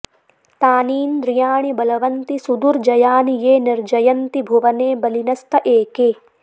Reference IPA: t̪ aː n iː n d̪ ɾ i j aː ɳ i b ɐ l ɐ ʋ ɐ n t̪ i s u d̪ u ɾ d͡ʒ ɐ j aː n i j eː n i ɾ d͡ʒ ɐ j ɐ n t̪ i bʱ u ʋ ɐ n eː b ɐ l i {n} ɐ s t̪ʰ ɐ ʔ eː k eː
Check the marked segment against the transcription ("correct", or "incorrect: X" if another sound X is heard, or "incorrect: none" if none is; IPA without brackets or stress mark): correct